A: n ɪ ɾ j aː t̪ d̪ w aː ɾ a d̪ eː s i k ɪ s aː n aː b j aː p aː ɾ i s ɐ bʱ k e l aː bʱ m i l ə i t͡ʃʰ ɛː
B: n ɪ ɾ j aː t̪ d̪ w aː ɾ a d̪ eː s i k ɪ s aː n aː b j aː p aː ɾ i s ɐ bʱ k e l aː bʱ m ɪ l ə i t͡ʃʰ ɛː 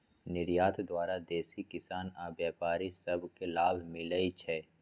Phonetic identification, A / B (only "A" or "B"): B